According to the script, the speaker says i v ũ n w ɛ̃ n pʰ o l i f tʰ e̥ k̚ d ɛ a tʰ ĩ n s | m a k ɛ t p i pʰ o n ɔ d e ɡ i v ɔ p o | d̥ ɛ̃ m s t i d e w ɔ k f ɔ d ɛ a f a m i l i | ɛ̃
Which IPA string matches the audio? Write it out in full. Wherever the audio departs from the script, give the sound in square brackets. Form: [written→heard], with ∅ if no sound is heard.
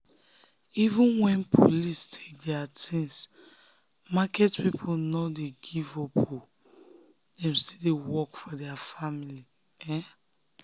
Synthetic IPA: i v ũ n w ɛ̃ n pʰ o l i [f→s] tʰ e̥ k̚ d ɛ a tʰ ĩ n s | m a k ɛ t p i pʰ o n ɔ d e ɡ i v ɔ p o | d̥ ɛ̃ m s t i d e w ɔ k f ɔ d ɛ a f a m i l i | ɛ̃